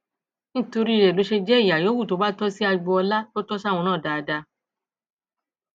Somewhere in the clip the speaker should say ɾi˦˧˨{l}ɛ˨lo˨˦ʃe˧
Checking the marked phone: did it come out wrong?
yes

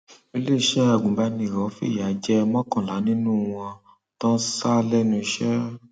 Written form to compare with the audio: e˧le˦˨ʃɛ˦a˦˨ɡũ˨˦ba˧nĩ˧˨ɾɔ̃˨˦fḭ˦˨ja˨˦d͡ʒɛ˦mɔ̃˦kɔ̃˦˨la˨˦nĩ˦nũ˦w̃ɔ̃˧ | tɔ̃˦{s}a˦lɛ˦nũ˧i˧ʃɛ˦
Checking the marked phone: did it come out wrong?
no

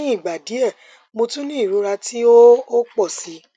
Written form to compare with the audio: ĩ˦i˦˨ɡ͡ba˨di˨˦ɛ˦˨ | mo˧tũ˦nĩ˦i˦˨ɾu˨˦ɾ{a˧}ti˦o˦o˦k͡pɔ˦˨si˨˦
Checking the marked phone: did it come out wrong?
no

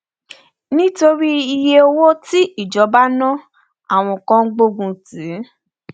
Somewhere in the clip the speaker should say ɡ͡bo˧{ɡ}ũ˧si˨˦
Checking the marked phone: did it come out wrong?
no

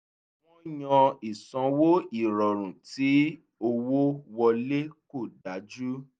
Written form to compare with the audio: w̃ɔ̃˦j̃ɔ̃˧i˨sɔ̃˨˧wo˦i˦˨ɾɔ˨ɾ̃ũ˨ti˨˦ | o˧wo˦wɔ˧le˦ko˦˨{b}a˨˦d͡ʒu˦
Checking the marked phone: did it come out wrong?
yes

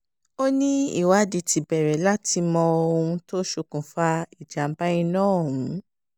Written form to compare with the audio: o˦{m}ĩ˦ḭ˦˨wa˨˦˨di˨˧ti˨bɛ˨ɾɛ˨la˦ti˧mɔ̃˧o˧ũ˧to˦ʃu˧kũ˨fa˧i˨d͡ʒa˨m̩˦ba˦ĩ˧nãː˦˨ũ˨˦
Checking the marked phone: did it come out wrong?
yes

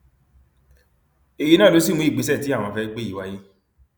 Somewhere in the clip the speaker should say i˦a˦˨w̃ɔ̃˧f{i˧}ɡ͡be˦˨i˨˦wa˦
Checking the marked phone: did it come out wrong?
yes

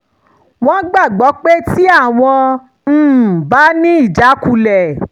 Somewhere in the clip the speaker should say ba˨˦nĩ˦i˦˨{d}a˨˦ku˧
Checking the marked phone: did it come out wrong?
yes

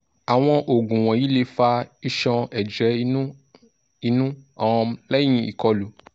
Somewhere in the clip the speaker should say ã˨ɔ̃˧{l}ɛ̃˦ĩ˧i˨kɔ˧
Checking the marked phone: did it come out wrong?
no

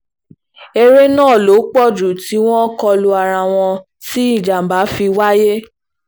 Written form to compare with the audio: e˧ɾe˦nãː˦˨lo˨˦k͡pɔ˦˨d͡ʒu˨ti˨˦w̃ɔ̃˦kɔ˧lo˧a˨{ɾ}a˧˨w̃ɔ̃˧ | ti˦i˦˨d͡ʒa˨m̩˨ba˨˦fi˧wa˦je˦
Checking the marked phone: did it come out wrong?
no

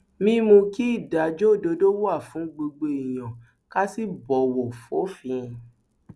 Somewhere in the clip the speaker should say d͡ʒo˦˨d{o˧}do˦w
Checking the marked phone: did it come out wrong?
no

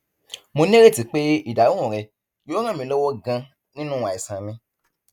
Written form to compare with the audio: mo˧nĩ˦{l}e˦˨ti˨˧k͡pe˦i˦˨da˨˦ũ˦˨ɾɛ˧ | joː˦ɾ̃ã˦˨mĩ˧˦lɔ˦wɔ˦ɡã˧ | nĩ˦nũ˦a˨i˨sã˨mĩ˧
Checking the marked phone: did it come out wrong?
yes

